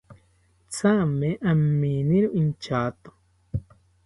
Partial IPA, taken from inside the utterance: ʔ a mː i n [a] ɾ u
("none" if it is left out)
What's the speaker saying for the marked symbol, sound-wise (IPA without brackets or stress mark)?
i